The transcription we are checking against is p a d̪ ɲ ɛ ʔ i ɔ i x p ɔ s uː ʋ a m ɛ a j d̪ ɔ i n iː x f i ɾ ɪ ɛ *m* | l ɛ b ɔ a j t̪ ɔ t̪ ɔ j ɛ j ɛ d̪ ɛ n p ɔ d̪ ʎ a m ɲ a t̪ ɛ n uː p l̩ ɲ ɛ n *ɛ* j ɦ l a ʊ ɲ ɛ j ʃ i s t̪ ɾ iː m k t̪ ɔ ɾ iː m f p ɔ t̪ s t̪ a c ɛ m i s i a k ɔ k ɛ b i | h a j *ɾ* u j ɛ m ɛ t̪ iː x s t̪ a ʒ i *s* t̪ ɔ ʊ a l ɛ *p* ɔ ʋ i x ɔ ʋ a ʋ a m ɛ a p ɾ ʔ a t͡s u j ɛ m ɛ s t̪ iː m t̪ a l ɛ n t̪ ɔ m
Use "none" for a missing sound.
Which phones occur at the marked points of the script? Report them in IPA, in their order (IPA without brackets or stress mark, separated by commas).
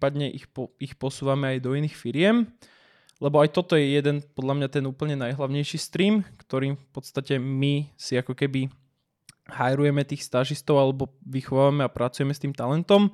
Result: m, a, ɾ, s, b